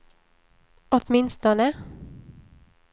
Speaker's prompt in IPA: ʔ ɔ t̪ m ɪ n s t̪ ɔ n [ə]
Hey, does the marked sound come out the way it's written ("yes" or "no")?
yes